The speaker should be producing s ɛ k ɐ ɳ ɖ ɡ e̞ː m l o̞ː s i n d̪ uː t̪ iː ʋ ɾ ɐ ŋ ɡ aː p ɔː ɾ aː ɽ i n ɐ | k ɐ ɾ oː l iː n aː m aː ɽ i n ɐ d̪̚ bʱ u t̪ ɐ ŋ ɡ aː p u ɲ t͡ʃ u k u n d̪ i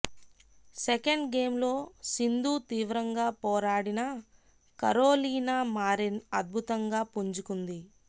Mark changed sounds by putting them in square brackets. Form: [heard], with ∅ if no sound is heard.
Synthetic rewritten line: s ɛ k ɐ ɳ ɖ ɡ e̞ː m l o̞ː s i n d̪ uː t̪ iː ʋ ɾ ɐ ŋ ɡ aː p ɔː ɾ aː ɽ i n ɐ | k ɐ ɾ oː l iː n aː m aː [ɾ] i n ɐ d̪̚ bʱ u t̪ ɐ ŋ ɡ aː p u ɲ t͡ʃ u k u n d̪ i